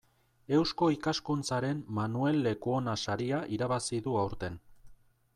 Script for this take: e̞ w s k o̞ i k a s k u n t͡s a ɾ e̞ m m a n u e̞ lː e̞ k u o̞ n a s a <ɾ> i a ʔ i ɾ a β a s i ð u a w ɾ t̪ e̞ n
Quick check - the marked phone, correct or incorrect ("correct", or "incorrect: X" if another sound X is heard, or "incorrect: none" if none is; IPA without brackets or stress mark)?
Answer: correct